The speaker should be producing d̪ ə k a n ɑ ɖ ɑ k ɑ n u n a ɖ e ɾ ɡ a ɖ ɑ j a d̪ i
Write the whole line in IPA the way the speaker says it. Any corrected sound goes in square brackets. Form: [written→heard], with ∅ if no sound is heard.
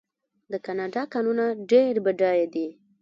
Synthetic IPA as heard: d̪ ə k a n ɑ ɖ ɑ k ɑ n u n a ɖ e ɾ [ɡ→b] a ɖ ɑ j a d̪ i